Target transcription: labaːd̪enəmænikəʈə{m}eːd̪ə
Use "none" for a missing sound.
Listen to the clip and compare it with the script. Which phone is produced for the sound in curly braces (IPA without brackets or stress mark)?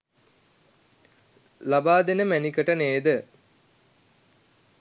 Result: n